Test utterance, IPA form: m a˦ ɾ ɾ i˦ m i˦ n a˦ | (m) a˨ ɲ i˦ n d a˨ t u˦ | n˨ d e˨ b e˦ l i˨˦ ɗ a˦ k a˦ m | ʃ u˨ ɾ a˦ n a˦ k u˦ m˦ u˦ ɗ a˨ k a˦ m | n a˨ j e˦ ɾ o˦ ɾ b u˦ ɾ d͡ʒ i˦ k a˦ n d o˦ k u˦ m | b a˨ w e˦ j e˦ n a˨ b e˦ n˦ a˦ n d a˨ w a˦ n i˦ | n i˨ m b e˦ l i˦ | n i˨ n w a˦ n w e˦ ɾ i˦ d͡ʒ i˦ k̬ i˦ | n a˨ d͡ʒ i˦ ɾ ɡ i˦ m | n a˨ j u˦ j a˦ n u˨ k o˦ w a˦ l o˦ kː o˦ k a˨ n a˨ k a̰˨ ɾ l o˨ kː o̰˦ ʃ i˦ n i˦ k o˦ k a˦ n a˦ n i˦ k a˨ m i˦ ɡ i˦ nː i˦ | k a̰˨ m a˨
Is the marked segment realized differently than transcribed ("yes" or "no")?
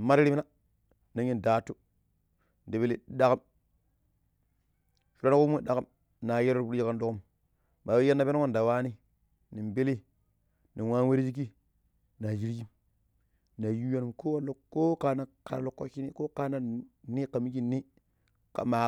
yes